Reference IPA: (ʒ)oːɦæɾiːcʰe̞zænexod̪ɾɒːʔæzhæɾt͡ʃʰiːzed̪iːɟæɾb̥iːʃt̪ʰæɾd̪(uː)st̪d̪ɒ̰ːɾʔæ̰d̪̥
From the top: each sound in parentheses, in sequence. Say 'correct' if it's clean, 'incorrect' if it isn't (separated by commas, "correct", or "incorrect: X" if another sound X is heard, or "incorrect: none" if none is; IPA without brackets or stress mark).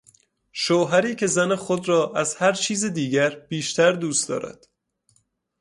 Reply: incorrect: ʃ, correct